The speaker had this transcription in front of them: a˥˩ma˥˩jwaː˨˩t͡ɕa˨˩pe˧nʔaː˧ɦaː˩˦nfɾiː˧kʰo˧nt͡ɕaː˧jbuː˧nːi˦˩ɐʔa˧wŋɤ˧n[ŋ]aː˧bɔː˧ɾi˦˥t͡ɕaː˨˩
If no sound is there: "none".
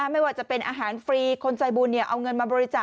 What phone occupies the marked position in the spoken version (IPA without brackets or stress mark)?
m